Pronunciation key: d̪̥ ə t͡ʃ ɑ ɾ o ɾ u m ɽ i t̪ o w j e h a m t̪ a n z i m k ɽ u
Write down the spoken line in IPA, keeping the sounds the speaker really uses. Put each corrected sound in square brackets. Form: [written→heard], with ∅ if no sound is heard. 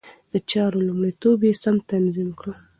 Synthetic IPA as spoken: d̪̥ ə t͡ʃ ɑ ɾ o [ɾ→l] u m ɽ i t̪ o [w→b] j e [h→s] a m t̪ a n z i m k ɽ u

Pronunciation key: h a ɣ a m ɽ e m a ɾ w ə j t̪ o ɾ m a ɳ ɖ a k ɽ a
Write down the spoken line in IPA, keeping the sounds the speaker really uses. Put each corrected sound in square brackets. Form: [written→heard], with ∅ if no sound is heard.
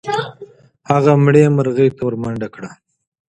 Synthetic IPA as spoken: h a ɣ a m ɽ e m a ɾ [w→ɣ] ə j t̪ o ɾ m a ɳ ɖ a k ɽ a

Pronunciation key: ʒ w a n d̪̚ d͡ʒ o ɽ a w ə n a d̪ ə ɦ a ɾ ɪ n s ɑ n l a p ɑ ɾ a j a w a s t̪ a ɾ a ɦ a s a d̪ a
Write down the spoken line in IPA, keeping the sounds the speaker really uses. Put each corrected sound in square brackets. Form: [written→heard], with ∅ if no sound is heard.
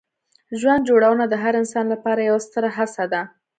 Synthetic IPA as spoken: ʒ w a n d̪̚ d͡ʒ o ɽ a w ə n a d̪ ə ɦ a ɾ ɪ n s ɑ n l a p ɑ ɾ a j a w a s t̪ [a→ə] ɾ a ɦ a s a d̪ a

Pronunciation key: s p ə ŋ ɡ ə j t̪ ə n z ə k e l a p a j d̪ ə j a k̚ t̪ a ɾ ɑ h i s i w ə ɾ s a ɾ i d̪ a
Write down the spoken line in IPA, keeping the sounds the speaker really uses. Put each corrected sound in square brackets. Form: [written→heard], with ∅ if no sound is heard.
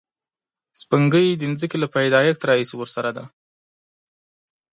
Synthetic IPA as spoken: s p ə ŋ ɡ ə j [t̪→d̪] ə n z ə k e l a p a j d̪ [ə→ɑ] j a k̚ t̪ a ɾ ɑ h i s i w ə ɾ s a ɾ [i→a] d̪ a

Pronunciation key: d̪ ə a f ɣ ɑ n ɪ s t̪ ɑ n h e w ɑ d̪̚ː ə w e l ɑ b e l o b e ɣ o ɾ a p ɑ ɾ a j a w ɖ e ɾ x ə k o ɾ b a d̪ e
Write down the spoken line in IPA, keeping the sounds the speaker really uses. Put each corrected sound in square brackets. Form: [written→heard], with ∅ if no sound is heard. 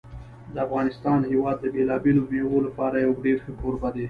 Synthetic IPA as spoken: d̪ ə a f ɣ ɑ n ɪ s t̪ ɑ n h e w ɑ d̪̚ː ə [w→b] e l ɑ b e l o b e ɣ o [ɾ→l] a p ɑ ɾ a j a w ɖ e ɾ x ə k o ɾ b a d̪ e

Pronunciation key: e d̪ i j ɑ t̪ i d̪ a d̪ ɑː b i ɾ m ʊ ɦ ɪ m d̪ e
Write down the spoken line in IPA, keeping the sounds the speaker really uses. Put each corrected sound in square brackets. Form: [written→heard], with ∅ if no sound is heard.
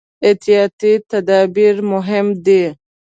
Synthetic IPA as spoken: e [d̪→t̪] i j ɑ t̪ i [d̪→t̪] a d̪ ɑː b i ɾ m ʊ ɦ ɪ m d̪ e

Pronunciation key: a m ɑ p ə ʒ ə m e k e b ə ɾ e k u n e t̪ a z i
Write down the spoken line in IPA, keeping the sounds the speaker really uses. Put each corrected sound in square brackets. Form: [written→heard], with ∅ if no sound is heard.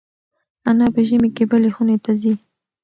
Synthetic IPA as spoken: a [m→n] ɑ p ə ʒ ə m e k e b ə [ɾ→l] e [k→x] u n e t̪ a z i

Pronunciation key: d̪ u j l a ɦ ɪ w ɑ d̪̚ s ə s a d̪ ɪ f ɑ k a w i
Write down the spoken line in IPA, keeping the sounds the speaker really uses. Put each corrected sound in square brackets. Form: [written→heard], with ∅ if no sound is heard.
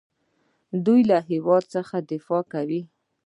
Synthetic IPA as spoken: d̪ u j l a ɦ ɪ w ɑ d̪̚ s ə [s→x] a d̪ ɪ f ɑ k a w i

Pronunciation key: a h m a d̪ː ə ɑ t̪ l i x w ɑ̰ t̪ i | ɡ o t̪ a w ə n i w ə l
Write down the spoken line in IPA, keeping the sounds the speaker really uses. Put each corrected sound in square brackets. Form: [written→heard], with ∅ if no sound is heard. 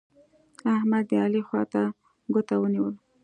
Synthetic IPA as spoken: a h m a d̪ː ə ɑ [t̪→∅] l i x w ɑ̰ t̪ [i→a] | ɡ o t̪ a w ə n i w ə l

